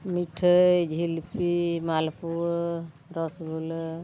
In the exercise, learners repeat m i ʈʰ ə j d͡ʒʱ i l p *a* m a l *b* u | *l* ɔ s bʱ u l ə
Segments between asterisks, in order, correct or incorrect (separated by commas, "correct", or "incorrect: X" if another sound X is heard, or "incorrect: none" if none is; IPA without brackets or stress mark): incorrect: i, incorrect: p, incorrect: ɾ